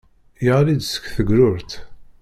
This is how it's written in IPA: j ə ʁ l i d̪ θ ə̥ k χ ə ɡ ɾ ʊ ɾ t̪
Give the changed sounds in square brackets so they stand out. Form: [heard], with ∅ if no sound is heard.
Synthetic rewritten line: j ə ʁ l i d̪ [s] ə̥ k [θ] ə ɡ ɾ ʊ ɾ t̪

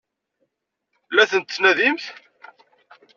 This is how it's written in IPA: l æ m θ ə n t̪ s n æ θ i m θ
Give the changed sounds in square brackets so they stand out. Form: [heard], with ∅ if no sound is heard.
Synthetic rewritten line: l æ [∅] θ ə n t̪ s n æ [ð] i m θ

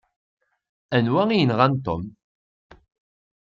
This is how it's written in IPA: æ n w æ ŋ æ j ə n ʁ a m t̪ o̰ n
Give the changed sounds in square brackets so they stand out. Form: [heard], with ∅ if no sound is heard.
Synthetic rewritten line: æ n w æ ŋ [i] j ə n ʁ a [n] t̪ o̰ [m]

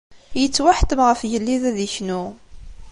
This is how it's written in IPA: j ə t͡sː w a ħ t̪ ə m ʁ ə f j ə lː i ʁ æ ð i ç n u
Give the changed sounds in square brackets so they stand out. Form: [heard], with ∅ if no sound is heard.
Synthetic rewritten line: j ə t͡sː w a ħ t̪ ə m ʁ ə f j ə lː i [ð] æ ð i ç n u

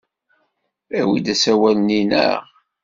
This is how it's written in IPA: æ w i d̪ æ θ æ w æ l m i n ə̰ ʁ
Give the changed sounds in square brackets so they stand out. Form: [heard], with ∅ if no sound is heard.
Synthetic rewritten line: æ w i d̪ æ [s] æ w æ l [n] i n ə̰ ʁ

